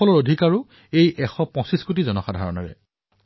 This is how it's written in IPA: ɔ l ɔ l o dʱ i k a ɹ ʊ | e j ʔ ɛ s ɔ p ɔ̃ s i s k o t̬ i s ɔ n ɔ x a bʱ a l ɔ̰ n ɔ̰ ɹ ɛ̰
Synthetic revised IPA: ɔ l ɔ ɹ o dʱ i k a ɹ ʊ | e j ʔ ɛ x ɔ p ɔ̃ s i s k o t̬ i z ɔ n ɔ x a dʱ a ɹ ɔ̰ n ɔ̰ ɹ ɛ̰